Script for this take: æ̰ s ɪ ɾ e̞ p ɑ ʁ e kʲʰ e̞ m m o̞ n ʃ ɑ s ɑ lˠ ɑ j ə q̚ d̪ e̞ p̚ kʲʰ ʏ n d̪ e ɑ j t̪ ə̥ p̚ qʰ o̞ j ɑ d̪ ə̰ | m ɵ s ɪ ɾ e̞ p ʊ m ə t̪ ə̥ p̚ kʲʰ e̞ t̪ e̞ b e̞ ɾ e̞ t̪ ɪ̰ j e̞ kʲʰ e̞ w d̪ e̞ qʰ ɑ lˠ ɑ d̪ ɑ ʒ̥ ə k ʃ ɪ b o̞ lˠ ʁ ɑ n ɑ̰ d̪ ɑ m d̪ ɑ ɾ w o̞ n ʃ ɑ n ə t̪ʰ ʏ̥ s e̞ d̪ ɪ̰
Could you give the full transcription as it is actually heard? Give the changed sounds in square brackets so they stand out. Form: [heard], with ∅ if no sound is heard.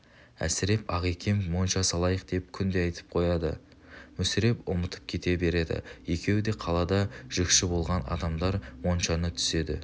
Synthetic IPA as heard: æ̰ s ɪ ɾ e̞ p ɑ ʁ e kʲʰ e̞ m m o̞ n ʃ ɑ s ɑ lˠ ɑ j ə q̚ d̪ e̞ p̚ kʲʰ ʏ n d̪ e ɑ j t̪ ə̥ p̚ qʰ o̞ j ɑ d̪ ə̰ | m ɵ s ɪ ɾ e̞ p ʊ m ə t̪ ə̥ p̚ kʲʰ e̞ t̪ e̞ b e̞ ɾ e̞ [d̪] ɪ̰ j e̞ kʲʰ e̞ w d̪ e̞ qʰ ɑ lˠ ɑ d̪ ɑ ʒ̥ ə k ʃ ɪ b o̞ lˠ ʁ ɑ n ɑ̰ d̪ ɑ m d̪ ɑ ɾ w o̞ n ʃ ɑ n ə t̪ʰ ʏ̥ s e̞ d̪ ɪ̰